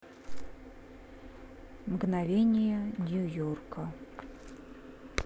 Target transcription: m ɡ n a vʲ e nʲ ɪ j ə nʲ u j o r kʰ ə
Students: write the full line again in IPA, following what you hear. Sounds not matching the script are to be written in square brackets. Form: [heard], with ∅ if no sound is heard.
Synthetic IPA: m ɡ n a vʲ e nʲ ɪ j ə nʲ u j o r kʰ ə

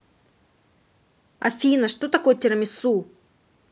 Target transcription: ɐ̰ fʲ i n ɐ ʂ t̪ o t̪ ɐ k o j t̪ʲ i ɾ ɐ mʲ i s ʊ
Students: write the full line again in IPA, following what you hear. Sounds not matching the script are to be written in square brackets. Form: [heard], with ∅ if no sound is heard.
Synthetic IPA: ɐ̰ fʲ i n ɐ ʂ t̪ o t̪ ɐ k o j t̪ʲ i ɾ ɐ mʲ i s [u]

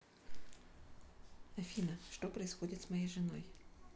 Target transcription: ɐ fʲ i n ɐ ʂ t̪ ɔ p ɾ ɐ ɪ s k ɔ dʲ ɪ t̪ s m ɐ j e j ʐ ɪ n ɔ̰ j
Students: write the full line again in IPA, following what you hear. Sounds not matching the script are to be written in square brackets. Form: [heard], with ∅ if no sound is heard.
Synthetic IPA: ɐ fʲ i n ɐ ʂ t̪ ɔ p ɾ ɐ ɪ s [x] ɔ dʲ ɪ t̪ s m ɐ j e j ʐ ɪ n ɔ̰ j

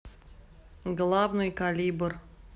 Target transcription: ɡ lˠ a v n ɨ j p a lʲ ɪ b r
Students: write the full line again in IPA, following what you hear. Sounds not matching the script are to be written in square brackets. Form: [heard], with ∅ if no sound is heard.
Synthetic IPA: ɡ lˠ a v n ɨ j [k] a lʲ [i] b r

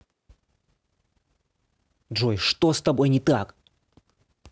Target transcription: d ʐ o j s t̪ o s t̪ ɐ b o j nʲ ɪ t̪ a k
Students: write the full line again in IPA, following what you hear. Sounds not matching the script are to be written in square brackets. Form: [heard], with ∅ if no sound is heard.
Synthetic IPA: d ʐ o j [ʂ] t̪ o s t̪ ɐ b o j nʲ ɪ t̪ a k

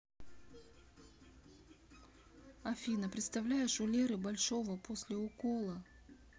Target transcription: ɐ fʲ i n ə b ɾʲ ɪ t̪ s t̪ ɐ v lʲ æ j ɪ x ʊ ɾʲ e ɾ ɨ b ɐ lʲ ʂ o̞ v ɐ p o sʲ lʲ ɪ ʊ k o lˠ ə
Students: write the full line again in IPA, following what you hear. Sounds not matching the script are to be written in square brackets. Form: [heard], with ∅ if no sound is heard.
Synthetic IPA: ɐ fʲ i n ə [p] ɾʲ ɪ t̪ s t̪ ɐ v lʲ æ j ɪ [ʂ] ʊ [lʲ] e ɾ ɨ b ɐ lʲ ʂ o̞ v [ə] p o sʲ lʲ ɪ ʊ k o lˠ ə

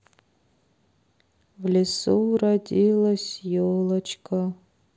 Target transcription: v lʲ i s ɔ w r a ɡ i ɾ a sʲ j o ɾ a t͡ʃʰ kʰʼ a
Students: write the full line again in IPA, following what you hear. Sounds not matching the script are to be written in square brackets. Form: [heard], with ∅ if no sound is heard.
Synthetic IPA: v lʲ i s [u] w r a [d] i [l] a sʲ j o [l] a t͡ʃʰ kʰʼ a

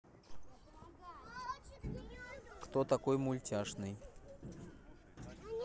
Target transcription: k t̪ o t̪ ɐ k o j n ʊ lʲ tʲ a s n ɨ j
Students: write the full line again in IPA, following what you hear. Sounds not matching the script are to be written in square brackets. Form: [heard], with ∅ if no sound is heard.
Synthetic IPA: k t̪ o t̪ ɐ k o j [m] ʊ lʲ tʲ a [ʂ] n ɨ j

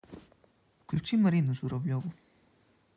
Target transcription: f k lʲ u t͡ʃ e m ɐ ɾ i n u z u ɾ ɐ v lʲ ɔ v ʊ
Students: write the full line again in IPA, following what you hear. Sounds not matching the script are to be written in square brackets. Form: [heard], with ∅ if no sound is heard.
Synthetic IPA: f k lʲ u t͡ʃ [i] m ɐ ɾ i n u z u ɾ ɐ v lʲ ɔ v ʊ

